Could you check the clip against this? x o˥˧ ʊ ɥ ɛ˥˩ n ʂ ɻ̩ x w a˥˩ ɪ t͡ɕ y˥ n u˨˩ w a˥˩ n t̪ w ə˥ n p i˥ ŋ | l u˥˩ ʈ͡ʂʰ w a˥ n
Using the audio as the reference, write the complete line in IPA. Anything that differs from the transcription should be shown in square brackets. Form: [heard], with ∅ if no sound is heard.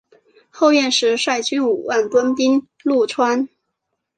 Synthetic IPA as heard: x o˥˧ ʊ ɥ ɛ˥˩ n ʂ ɻ̩ [ʂ] w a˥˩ ɪ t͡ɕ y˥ n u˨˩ w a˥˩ n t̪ w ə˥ n p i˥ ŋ | l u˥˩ ʈ͡ʂʰ w a˥ n